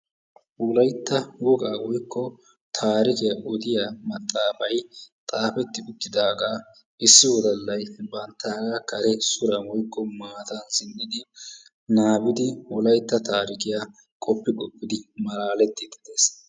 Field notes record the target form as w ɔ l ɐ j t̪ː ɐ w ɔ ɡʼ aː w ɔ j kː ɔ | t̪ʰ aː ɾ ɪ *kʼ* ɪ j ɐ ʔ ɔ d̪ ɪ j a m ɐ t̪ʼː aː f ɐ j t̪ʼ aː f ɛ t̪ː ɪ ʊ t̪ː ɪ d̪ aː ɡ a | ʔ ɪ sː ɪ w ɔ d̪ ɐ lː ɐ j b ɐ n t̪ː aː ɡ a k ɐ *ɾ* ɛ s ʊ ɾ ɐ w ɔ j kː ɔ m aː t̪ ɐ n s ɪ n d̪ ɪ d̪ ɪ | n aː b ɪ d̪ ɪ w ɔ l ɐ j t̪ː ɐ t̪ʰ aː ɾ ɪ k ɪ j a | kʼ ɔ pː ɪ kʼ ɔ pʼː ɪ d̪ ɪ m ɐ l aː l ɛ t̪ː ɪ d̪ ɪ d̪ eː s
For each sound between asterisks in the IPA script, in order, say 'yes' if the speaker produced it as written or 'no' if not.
no, yes

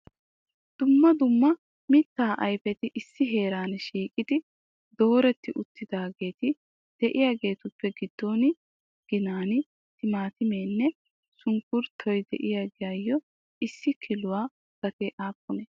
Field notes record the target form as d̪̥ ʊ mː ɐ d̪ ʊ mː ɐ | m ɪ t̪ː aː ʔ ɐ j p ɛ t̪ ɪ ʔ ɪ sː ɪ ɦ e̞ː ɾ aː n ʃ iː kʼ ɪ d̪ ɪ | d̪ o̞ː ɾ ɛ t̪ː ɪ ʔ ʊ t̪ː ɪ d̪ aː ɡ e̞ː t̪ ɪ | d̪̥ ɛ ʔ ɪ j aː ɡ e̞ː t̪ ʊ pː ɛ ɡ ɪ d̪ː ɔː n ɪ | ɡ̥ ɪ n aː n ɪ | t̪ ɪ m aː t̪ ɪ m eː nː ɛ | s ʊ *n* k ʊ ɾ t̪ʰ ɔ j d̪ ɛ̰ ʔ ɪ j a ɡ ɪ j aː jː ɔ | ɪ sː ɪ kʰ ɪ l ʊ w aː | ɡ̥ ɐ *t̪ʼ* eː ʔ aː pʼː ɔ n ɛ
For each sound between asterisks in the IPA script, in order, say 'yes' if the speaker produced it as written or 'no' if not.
no, no

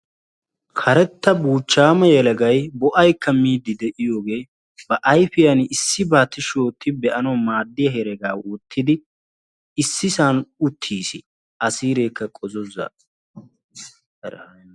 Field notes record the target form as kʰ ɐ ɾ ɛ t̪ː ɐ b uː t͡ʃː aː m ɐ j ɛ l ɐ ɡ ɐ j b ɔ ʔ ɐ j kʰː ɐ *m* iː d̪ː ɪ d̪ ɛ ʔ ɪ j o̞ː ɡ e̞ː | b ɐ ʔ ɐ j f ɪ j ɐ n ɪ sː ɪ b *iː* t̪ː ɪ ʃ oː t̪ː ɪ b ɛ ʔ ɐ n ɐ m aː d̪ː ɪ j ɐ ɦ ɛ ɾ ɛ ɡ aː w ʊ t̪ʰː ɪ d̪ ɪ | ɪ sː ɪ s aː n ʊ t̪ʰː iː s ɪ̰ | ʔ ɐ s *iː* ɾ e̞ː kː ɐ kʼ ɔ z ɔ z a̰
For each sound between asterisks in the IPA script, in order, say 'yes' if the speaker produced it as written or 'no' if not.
yes, no, yes

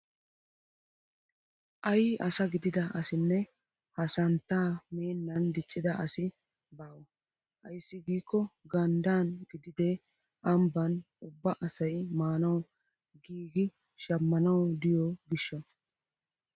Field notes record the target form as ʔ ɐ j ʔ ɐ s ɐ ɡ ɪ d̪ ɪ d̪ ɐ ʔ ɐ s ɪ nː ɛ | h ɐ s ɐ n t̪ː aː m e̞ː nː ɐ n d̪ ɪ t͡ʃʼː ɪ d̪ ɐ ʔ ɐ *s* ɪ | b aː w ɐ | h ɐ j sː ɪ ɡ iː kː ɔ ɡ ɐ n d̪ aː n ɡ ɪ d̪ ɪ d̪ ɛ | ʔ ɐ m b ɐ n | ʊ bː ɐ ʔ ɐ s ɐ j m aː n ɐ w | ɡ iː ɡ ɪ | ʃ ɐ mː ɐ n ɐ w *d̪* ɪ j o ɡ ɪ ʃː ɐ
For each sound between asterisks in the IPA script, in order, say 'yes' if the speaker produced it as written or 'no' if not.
yes, yes

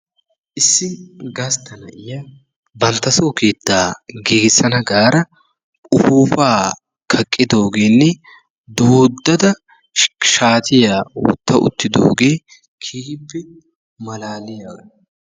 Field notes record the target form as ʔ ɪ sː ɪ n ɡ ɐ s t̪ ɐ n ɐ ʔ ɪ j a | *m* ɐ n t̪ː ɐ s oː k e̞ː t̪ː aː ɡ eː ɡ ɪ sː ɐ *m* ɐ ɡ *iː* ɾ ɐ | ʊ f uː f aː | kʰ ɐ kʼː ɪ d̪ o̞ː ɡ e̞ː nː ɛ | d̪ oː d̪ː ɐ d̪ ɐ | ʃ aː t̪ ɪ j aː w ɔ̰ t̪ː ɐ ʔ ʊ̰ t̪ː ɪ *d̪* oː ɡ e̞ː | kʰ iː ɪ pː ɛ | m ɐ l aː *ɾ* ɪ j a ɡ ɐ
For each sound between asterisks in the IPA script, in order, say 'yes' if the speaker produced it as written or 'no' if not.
no, no, no, yes, no

